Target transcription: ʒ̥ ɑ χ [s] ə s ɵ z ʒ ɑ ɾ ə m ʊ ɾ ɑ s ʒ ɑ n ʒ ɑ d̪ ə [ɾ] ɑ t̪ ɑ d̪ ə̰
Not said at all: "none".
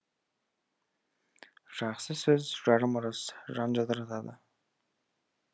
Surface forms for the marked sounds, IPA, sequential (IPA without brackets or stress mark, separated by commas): s, ɾ